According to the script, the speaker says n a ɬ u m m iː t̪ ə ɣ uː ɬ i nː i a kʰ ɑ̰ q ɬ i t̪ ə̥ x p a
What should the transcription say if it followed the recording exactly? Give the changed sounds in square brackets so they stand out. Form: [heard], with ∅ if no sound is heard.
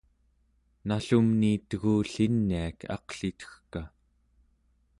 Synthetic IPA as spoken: n a ɬ u m [n] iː t̪ ə ɣ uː ɬ i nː i a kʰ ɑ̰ q ɬ i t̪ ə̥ x [k] a